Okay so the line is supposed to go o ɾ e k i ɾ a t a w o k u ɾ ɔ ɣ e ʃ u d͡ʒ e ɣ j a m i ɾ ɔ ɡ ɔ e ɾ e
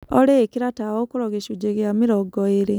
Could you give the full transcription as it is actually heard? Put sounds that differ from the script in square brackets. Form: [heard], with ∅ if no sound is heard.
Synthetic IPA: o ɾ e k i ɾ a t a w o k u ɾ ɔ ɣ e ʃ u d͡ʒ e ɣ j a m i ɾ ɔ ɡ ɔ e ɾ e

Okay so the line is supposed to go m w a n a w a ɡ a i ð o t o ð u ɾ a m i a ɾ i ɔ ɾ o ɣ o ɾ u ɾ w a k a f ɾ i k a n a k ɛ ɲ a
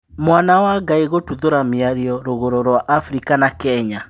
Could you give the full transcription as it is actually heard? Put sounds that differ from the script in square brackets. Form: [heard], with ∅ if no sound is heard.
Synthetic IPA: m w a n a w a ɡ a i [ɣ] o t [u] ð [o] ɾ a m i a ɾ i ɔ ɾ o ɣ o ɾ [o] ɾ w a [ʔ] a f ɾ i k a n a k ɛ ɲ a

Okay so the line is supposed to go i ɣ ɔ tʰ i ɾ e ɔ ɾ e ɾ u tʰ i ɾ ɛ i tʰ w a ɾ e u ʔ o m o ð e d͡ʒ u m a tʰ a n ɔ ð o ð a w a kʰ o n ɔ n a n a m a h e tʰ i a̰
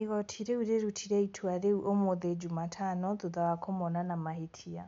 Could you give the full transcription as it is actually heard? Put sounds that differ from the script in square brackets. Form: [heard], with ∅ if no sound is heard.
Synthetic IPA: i ɣ ɔ tʰ i ɾ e [u] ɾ e ɾ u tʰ i ɾ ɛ i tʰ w a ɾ e u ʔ o m o ð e d͡ʒ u m a tʰ a n ɔ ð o ð a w a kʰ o [m] ɔ n a n a m a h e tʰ i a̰

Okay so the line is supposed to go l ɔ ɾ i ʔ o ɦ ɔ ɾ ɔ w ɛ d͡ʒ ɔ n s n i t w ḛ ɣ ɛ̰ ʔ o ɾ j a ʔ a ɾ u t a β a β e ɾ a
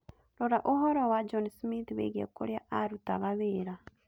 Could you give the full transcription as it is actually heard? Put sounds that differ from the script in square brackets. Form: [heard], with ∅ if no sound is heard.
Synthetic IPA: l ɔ ɾ [a] ʔ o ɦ ɔ ɾ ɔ w [a] d͡ʒ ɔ n s [m] i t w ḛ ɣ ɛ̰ [k] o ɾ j a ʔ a ɾ u t a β a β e ɾ a

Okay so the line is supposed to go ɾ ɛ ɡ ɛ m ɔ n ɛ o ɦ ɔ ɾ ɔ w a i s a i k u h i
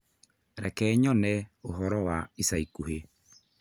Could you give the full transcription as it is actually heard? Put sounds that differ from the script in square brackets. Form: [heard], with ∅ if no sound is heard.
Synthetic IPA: ɾ ɛ [k] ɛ [ɲ] ɔ n ɛ o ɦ ɔ ɾ ɔ w a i s a i k u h [e]

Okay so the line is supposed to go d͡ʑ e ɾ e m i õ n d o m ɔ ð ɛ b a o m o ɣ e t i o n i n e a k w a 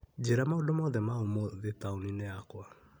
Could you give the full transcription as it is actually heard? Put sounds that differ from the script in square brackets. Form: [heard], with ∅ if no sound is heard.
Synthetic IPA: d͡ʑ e ɾ [a] m [a] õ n d o m ɔ ð ɛ [m] a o m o [ð] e t [a] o n i n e a k w a

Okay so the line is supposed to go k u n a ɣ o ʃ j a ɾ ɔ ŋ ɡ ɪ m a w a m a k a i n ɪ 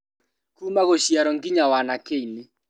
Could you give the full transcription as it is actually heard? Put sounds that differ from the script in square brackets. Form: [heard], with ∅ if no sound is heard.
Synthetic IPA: k u [m] a ɣ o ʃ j a ɾ ɔ ŋ ɡ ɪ [ɲ] a w a [n] a k [e] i n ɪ

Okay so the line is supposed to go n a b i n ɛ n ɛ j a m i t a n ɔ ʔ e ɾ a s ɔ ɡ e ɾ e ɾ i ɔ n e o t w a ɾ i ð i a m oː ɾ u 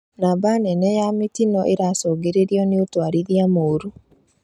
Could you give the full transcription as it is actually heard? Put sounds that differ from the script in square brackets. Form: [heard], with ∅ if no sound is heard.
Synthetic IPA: n a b [a] n ɛ n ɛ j a m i t [i] n ɔ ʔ e ɾ a s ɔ ɡ e ɾ e ɾ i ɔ n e o t w a ɾ i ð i a m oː ɾ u

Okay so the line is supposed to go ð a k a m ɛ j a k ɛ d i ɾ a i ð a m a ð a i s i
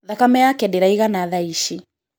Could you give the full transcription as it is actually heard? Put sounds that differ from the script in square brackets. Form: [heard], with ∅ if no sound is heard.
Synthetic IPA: ð a k a m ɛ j a k ɛ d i ɾ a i [ɣ] a [n] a ð a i [ʃ] i

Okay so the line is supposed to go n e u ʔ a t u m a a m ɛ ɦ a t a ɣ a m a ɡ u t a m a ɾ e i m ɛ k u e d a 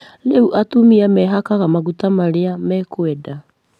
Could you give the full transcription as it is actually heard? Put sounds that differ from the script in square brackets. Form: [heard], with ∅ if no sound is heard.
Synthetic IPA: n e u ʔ a t u m [i] a m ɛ ɦ a [k] a ɣ a m a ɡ u t a m a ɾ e [a] m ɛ k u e d a

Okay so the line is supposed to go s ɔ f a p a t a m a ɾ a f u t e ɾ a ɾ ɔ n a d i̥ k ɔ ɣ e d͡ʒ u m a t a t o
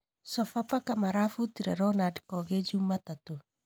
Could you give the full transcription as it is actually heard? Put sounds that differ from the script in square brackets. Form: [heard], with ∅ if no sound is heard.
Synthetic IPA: s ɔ f a p a [k] a m a ɾ a f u t [i] ɾ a ɾ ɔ n a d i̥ k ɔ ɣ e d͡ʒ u m a t a t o

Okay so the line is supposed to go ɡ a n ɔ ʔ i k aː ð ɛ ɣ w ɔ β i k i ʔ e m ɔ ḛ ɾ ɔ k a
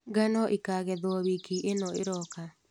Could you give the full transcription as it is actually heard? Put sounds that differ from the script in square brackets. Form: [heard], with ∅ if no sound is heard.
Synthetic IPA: ɡ a n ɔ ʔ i k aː [ɣ] ɛ [ð] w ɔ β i k i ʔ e [n] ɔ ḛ ɾ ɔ k a

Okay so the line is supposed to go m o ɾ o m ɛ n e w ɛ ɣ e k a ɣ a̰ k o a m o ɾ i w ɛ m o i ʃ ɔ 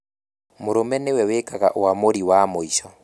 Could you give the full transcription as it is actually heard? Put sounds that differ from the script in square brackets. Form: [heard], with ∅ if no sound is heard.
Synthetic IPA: m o ɾ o m ɛ n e w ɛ [w] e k a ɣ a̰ [ʔ] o a m o ɾ i w [a] m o i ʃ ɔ

